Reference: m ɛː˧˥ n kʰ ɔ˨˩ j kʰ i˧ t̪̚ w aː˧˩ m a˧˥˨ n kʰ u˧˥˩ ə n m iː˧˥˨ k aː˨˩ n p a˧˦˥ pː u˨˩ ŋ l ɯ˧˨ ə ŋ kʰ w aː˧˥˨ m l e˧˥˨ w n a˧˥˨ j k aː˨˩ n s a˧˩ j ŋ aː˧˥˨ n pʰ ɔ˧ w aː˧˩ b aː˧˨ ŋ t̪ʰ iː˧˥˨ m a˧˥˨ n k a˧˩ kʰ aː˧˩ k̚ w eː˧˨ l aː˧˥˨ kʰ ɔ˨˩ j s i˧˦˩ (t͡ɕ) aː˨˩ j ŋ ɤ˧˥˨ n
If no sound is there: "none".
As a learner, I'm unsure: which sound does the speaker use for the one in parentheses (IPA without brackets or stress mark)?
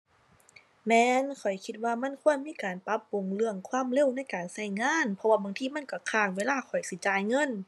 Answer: t͡ɕ